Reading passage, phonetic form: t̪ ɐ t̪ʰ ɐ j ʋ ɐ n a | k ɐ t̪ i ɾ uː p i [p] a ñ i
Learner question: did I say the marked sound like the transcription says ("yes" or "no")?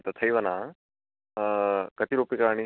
no